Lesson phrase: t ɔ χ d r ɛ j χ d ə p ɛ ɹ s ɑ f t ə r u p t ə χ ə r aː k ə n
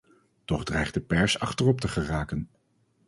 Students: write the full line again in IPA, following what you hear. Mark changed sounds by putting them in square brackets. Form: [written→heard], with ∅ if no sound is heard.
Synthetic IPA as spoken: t ɔ χ d r ɛ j χ d ə p ɛ ɹ s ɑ [f→χ] t ə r [u→ɔ] p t ə χ ə r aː k ə n